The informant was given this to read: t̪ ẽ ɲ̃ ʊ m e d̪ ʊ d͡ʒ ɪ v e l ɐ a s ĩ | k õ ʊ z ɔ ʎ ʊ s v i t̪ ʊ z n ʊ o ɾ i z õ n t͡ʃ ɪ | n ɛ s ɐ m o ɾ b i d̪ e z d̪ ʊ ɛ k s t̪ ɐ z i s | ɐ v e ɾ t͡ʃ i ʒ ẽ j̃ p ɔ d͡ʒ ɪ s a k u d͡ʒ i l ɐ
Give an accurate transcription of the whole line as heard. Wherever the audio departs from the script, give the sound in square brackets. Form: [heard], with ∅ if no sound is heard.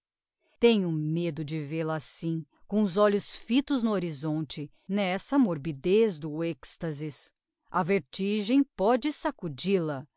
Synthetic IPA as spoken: t̪ ẽ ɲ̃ ʊ m e d̪ ʊ d͡ʒ ɪ v e l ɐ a s ĩ | k õ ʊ z ɔ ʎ ʊ s [f] i t̪ ʊ z n ʊ o ɾ i z õ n t͡ʃ ɪ | n ɛ s ɐ m o ɾ b i d̪ e z d̪ ʊ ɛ k s t̪ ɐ z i s | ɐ v e ɾ t͡ʃ i ʒ ẽ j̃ p ɔ d͡ʒ ɪ s a k u d͡ʒ i l ɐ

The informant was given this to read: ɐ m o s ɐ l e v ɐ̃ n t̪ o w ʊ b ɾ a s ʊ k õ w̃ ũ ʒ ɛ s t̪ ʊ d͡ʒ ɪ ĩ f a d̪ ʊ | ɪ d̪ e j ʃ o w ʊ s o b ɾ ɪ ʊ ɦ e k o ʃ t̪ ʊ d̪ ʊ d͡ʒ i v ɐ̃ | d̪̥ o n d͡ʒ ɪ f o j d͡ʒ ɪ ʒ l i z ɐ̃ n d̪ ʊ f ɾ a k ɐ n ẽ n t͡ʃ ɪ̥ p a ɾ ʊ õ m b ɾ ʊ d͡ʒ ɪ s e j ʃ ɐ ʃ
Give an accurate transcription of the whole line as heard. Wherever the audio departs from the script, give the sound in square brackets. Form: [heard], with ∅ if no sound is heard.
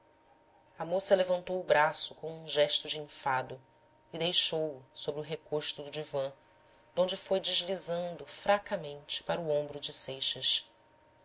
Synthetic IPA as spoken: ɐ m o s ɐ l e v ɐ̃ n t̪ o w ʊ b ɾ a s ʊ k õ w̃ ũ ʒ ɛ [ʃ] t̪ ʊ d͡ʒ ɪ ĩ f a d̪ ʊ | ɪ d̪ e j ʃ o w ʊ s o b ɾ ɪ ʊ ɦ e k o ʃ t̪ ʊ d̪ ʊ d͡ʒ i v ɐ̃ | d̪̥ [õ] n d͡ʒ ɪ f o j d͡ʒ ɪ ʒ l i z ɐ̃ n d̪ ʊ f ɾ a k ɐ [m] ẽ n t͡ʃ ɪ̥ p a ɾ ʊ õ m b ɾ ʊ d͡ʒ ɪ s e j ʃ ɐ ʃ

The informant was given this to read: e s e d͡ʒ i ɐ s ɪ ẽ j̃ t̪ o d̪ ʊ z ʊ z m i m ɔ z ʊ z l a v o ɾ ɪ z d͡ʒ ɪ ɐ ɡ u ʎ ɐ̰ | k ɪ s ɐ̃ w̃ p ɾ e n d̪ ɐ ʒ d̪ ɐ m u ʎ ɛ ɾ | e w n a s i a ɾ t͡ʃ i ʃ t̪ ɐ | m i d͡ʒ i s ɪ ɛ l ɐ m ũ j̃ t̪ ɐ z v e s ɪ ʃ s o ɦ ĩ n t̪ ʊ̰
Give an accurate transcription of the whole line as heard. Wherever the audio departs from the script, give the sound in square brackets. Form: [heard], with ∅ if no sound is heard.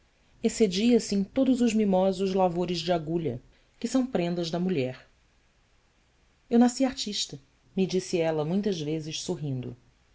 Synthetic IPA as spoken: e s e d͡ʒ i ɐ s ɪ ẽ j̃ t̪ o d̪ ʊ z ʊ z m i m ɔ z ʊ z l a v o ɾ ɪ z d͡ʒ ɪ [a] ɡ u ʎ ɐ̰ | k ɪ s ɐ̃ w̃ p ɾ [ẽ] n d̪ ɐ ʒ d̪ ɐ m u ʎ ɛ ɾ | e w n a s i a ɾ t͡ʃ i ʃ t̪ ɐ | m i d͡ʒ i s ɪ ɛ l ɐ m ũ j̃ t̪ ɐ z v e [z] ɪ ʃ s o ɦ ĩ n [d̪] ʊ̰

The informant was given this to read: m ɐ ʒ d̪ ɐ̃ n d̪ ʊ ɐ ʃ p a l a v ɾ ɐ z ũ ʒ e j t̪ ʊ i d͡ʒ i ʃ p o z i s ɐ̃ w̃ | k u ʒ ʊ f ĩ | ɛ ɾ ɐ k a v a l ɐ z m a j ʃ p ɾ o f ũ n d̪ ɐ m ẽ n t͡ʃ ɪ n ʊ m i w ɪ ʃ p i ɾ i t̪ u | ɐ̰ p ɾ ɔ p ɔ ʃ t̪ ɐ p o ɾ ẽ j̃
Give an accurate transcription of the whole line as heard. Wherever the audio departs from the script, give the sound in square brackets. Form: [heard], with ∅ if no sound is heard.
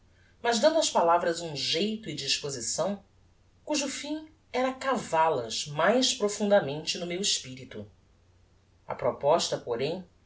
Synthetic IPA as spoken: m ɐ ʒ d̪ ɐ̃ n d̪ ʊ ɐ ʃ p a l a v ɾ ɐ z ũ ʒ e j t̪ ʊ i d͡ʒ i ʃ p o z i s ɐ̃ w̃ | k u ʒ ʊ f ĩ | ɛ ɾ ɐ k a v a l ɐ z m a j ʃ p ɾ o f ũ n d̪ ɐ m ẽ n t͡ʃ ɪ n ʊ m [e] w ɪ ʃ p i ɾ i t̪ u | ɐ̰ p ɾ ɔ p ɔ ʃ t̪ ɐ p o ɾ ẽ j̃

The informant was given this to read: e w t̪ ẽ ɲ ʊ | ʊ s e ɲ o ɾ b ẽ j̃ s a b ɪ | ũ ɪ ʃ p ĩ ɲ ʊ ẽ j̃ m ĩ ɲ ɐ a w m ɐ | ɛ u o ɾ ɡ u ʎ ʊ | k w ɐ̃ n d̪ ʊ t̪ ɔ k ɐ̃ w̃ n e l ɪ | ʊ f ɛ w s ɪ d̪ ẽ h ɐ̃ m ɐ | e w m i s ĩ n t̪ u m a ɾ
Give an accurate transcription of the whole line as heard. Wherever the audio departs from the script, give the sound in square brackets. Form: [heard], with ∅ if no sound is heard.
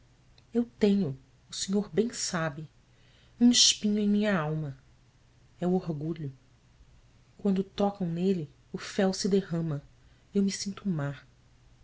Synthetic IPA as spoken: e w t̪ ẽ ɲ ʊ | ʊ s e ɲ o ɾ b ẽ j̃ s a b ɪ | ũ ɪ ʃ p ĩ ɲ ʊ ẽ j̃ m ĩ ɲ ɐ a w m ɐ | ɛ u o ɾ ɡ u ʎ ʊ | k w ɐ̃ n d̪ ʊ t̪ ɔ k ɐ̃ w̃ n e l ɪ | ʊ f ɛ w s ɪ d̪ [e] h ɐ̃ m ɐ | e w m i s ĩ n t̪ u m a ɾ

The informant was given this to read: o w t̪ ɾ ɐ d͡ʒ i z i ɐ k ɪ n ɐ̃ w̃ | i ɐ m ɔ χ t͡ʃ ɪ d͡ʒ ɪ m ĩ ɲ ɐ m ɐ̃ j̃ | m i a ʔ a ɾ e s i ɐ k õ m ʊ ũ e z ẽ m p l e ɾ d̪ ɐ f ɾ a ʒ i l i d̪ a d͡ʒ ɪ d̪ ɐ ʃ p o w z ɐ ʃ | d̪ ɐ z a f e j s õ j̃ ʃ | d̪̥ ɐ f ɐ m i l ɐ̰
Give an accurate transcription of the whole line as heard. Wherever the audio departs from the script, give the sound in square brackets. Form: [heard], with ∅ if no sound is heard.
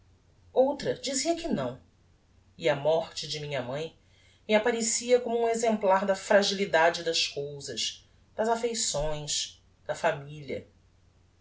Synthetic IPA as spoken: o w t̪ ɾ ɐ d͡ʒ i z i ɐ k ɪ n ɐ̃ w̃ | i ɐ m ɔ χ t͡ʃ ɪ d͡ʒ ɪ m ĩ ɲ ɐ m ɐ̃ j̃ | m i a [p] a ɾ e s i ɐ k õ m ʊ ũ e z ẽ m p l [a] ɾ d̪ ɐ f ɾ a ʒ i l i d̪ a d͡ʒ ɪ d̪ ɐ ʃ [k] o w z ɐ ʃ | d̪ ɐ z a f e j s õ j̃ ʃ | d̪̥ ɐ f [a] m i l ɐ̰

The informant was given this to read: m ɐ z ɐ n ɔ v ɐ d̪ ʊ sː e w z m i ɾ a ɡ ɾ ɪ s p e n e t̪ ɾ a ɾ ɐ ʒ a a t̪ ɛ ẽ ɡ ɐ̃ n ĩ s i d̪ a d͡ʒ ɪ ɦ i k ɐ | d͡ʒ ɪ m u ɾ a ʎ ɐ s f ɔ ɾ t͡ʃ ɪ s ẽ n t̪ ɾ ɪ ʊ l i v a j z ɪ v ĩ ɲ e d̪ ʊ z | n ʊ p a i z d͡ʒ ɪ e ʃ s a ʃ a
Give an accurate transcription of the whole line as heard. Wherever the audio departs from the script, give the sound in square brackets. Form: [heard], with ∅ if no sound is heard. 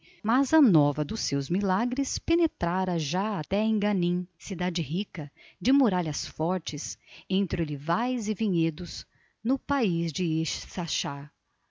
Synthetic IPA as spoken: m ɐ z ɐ n ɔ v ɐ d̪ ʊ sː e w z m i [l] a ɡ ɾ ɪ s p e n e t̪ ɾ a ɾ ɐ ʒ a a t̪ ɛ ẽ ɡ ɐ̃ n ĩ s i d̪ a d͡ʒ ɪ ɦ i k ɐ | d͡ʒ ɪ m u ɾ a ʎ ɐ s f ɔ ɾ t͡ʃ ɪ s ẽ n t̪ ɾ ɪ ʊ l i v a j z ɪ v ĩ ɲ e d̪ ʊ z | n ʊ p a i z d͡ʒ ɪ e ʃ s a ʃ a

